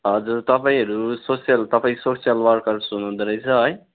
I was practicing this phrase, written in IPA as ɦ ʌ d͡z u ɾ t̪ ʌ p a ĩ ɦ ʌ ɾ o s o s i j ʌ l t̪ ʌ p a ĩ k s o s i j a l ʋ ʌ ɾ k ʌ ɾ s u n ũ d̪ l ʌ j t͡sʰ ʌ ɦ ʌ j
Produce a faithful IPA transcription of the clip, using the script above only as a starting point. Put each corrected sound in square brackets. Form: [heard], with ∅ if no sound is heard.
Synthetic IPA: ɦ ʌ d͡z u ɾ t̪ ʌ p a ĩ ɦ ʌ ɾ [u] s o s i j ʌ l t̪ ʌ p a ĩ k s o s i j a l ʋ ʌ ɾ k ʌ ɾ s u n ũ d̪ [ɾ] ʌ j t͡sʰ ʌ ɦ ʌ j